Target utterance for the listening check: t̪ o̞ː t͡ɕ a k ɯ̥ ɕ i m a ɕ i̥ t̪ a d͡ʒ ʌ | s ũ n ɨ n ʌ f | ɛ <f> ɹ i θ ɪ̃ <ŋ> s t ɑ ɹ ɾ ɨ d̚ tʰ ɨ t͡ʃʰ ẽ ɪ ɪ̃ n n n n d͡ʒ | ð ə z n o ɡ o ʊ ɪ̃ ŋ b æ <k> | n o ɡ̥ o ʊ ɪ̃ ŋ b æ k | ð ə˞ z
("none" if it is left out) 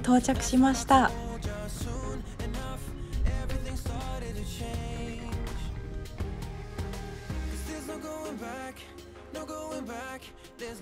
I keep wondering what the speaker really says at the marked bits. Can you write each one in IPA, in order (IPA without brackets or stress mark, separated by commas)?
v, ŋ, k